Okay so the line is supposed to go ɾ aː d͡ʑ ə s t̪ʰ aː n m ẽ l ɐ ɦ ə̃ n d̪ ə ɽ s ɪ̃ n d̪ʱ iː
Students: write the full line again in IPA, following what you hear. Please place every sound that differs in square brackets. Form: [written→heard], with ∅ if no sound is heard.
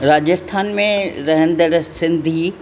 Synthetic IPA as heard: ɾ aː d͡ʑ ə s t̪ʰ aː n m ẽ [l→ɾ] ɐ ɦ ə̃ n d̪ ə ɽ s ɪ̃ n d̪ʱ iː

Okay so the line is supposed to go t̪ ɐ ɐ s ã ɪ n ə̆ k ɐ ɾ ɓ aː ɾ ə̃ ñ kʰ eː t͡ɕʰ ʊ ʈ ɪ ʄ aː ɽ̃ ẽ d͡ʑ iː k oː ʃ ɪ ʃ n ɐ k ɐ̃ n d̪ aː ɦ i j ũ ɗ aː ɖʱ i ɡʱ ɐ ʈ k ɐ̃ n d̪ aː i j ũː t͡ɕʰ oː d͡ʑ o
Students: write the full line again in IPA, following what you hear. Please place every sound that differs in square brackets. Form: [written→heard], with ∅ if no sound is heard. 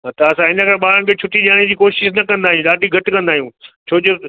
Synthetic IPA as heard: t̪ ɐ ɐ s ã ɪ n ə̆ k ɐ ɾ ɓ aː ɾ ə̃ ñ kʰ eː t͡ɕʰ ʊ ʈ [ɪ→i] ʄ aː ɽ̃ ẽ d͡ʑ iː k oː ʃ ɪ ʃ n ɐ k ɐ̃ n d̪ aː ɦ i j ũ ɗ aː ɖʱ i ɡʱ ɐ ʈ k ɐ̃ n d̪ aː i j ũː t͡ɕʰ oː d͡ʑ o

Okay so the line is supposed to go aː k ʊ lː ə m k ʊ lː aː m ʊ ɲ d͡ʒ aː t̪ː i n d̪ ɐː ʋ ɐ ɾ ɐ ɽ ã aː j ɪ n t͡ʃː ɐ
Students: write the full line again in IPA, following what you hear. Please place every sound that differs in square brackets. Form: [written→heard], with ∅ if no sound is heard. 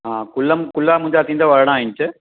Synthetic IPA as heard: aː k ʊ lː [ə→ɐ] m k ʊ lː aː m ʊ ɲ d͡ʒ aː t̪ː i n d̪ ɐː ʋ ɐ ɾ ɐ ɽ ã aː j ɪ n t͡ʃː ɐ

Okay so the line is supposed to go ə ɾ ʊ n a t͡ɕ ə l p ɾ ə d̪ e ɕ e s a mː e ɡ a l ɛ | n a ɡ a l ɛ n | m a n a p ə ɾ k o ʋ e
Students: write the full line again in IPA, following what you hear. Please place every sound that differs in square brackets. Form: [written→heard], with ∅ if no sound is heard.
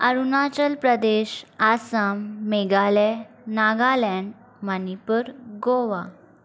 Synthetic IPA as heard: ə ɾ [ʊ→u] n a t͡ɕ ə l p ɾ ə d̪ e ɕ [e→a] s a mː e ɡ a l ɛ | n a ɡ a l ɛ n | m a n [a→i] p ə ɾ [k→ɡ] o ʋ [e→a]

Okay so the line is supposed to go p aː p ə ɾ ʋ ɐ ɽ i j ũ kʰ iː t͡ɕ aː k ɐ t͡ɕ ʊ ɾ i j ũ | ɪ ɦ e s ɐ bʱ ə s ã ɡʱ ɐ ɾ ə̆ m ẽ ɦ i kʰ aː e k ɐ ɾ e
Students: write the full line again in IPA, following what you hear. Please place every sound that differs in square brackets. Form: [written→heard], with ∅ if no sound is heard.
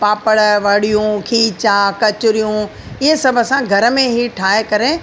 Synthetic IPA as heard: p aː p ə [ɾ→ɽ] ʋ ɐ ɽ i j ũ kʰ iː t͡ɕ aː k ɐ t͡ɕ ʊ ɾ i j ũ | ɪ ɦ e s ɐ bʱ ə s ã ɡʱ ɐ ɾ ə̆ m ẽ ɦ i [kʰ→ʈʰ] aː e k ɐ ɾ e

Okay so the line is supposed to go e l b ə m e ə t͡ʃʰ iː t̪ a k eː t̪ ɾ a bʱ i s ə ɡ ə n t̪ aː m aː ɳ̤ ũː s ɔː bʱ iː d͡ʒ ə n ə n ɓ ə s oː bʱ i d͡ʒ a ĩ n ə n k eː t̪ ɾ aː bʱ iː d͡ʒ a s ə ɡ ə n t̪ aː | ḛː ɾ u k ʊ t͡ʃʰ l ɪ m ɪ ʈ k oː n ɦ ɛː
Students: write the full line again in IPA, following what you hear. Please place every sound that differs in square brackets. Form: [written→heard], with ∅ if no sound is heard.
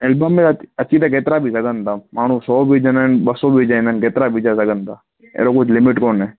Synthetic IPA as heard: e l b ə m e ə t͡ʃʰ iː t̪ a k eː t̪ ɾ a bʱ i s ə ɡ ə n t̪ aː m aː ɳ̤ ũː s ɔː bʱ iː d͡ʒ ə n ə n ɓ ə s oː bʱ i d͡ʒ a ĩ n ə n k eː t̪ ɾ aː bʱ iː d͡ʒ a s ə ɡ ə n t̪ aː | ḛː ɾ [u→o] k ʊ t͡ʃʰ l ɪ m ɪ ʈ k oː n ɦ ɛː

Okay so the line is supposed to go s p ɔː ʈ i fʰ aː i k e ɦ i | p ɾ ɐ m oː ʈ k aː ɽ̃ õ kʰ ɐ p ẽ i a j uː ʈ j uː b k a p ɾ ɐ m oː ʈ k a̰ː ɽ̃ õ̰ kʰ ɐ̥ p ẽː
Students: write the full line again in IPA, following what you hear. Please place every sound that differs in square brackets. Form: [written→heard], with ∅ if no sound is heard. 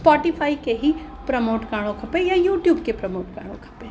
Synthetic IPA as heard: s p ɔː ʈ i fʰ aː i k e ɦ i | p ɾ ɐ m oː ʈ k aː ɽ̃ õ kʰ ɐ p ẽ [i→j] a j uː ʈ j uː b k [a→e] p ɾ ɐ m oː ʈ k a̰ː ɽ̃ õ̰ kʰ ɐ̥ p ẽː

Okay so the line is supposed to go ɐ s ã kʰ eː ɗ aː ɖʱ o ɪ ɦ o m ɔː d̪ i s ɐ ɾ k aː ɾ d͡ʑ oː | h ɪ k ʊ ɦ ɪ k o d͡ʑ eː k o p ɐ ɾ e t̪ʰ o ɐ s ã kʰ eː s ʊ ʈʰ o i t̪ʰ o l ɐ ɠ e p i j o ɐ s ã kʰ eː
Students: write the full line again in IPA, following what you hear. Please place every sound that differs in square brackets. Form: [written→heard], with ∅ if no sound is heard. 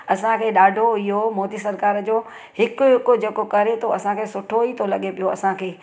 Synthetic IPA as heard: ɐ s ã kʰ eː ɗ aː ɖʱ o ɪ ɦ o m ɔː d̪ i s ɐ ɾ k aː ɾ d͡ʑ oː | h ɪ k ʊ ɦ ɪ k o d͡ʑ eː k o [p→k] ɐ ɾ e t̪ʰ o ɐ s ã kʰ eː s ʊ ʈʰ o i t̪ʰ o l ɐ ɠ e p i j o ɐ s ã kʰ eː

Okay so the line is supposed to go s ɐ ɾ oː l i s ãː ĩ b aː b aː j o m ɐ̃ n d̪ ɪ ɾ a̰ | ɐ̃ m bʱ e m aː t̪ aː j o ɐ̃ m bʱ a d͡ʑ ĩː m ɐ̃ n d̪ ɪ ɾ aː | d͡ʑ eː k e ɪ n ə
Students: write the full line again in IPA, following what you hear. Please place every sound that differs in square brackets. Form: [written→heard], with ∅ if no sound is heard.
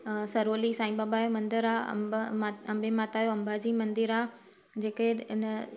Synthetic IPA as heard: s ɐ ɾ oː l i s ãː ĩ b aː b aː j o m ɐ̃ n d̪ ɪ ɾ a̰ | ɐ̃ m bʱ e m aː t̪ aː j o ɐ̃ m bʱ a d͡ʑ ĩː m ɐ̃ n d̪ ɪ ɾ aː | d͡ʑ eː k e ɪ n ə

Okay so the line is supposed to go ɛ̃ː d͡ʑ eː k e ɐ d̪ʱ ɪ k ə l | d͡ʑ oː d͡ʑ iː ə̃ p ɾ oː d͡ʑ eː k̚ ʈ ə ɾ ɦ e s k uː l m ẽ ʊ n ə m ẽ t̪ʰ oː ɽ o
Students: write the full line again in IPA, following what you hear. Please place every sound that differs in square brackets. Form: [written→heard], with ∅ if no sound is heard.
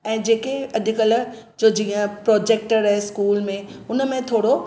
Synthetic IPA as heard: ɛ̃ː d͡ʑ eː k e ɐ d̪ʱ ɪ k ə l | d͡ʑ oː d͡ʑ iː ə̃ p ɾ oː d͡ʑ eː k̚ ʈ ə ɾ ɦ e s k uː l m ẽ ʊ n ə m ẽ t̪ʰ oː ɽ o

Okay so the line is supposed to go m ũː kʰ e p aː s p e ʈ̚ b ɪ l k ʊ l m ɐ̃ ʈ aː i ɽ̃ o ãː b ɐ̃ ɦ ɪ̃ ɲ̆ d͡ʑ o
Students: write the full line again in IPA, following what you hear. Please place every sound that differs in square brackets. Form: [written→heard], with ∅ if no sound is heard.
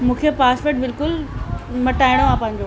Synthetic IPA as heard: m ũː kʰ e p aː s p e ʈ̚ b ɪ l k ʊ l m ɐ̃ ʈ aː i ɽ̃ o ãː [b→p] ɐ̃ ɦ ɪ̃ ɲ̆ d͡ʑ o

